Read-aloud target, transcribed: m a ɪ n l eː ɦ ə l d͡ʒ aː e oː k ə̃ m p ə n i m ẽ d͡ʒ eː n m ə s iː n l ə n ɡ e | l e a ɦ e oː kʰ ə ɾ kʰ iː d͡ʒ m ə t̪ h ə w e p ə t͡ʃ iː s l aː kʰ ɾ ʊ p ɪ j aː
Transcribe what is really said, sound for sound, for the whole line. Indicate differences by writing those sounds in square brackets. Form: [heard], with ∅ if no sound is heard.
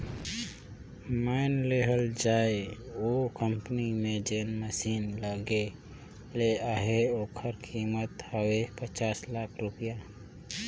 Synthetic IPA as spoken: m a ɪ n l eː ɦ ə l d͡ʒ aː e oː k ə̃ m p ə n i m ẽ d͡ʒ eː n m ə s iː n l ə [∅] ɡ e | l e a ɦ e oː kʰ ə ɾ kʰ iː [∅] m ə t̪ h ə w e p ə t͡ʃ [aː] s l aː kʰ ɾ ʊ p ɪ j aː